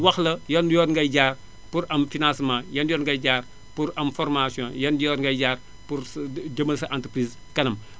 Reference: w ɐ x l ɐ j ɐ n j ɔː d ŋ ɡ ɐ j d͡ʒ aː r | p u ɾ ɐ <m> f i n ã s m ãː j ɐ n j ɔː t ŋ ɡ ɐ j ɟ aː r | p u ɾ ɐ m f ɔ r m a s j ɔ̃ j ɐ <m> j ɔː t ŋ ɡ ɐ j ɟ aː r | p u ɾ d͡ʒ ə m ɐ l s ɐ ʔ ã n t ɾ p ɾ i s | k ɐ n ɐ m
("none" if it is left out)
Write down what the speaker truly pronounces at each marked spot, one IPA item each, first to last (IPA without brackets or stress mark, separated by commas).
m, n